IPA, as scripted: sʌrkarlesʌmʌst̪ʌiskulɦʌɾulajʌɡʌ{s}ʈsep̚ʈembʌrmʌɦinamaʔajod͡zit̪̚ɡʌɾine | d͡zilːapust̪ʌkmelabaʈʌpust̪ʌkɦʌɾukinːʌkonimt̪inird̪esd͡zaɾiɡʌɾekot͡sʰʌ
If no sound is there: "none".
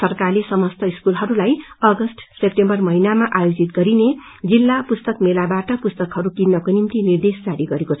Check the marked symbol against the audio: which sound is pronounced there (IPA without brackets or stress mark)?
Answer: s